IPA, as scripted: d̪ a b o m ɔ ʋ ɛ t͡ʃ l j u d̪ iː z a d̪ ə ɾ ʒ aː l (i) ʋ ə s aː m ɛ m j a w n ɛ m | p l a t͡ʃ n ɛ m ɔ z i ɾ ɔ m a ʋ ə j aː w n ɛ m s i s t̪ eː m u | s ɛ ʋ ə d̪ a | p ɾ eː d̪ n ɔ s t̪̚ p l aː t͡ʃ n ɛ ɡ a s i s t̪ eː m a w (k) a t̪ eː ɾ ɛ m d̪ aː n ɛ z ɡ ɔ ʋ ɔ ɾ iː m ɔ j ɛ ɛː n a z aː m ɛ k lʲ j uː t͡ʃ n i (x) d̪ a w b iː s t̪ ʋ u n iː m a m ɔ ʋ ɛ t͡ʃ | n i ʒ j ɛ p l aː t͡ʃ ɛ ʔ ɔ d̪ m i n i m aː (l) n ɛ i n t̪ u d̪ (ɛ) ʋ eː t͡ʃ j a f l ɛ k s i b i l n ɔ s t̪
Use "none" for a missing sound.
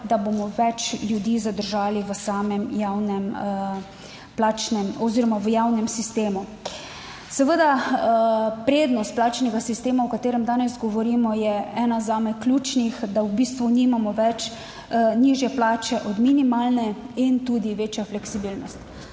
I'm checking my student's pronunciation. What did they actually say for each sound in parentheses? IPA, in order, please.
i, k, x, l, i

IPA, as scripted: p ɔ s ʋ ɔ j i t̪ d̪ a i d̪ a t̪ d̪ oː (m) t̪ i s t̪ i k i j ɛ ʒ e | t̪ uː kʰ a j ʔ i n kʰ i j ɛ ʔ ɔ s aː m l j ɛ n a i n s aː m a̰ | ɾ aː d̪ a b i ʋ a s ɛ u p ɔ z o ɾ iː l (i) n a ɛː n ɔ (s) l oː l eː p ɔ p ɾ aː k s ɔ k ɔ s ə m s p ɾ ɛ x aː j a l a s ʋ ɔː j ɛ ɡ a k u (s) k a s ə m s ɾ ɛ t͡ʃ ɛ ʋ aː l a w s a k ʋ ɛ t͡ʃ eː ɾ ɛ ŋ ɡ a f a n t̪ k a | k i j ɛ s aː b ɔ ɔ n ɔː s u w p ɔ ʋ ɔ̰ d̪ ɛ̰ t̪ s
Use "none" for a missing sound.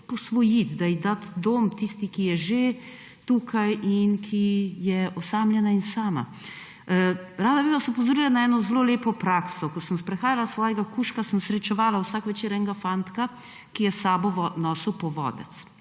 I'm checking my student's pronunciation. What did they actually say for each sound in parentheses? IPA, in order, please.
m, a, z, ʃ

